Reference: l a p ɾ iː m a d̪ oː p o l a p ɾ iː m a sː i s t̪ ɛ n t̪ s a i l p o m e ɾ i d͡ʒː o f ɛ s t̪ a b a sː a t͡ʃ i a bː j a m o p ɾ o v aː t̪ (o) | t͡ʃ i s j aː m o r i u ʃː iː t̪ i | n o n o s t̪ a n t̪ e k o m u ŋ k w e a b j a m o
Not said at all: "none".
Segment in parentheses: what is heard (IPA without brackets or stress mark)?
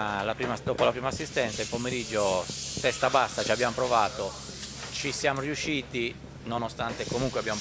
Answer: o